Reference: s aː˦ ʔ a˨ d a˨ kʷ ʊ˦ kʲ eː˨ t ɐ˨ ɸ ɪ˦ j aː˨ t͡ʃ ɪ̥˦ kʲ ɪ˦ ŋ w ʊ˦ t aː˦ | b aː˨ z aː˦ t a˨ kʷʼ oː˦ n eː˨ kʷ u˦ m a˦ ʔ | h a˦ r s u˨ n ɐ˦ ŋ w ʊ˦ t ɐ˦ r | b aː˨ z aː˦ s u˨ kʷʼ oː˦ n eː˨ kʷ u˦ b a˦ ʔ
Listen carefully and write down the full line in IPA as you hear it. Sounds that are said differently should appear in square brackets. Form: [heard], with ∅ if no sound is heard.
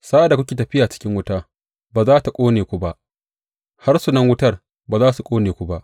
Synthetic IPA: s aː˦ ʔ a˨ d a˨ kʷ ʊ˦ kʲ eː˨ t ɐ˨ ɸ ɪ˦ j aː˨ t͡ʃ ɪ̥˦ kʲ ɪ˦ ŋ w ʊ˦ t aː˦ | b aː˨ z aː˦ t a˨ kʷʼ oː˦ n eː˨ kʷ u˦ [b] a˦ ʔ | h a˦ r s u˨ n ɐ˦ ŋ w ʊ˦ t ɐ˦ r | b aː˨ z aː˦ s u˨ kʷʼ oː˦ n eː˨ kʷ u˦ b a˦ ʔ